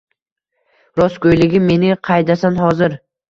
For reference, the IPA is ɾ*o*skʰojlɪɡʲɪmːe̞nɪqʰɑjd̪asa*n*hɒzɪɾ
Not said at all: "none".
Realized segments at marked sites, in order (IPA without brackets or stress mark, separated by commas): ɒ, n